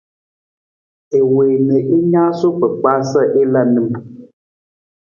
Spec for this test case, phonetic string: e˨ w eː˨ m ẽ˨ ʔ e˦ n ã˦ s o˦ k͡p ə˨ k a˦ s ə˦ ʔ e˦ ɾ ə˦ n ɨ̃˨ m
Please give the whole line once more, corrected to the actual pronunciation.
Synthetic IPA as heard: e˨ w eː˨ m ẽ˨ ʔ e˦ ɲ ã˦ s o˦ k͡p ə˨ k͡p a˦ s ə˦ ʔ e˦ l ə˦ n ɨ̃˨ m